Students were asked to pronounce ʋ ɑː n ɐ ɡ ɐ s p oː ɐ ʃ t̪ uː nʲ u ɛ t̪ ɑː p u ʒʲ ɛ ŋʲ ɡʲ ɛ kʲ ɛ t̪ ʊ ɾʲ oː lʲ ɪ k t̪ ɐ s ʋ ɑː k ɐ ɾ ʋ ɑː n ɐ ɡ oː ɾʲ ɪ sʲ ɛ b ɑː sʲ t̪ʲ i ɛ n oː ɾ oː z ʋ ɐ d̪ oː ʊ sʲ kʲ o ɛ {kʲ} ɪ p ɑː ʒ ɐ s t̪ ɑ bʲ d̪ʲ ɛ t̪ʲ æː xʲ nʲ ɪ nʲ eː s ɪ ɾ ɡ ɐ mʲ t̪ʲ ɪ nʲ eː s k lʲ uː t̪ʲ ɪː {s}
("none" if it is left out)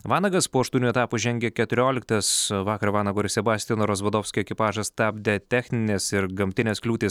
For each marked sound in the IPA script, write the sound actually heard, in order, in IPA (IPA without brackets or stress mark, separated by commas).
kʲ, s